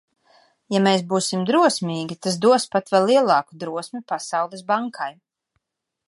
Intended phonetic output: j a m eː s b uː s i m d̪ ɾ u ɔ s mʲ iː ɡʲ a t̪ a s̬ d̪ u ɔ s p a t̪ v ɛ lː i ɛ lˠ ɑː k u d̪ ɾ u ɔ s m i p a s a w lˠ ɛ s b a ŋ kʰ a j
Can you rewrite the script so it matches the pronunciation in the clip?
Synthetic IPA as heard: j a m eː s b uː s i m d̪ ɾ u ɔ s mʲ iː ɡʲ i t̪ a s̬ d̪ u ɔ s p a t̪ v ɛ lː i ɛ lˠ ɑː k u d̪ ɾ u ɔ s m i p a s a w lˠ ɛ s b a ŋ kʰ a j